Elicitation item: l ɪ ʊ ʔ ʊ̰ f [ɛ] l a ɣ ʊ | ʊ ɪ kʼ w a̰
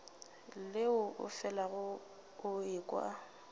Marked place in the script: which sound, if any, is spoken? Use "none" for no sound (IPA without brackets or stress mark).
ɛ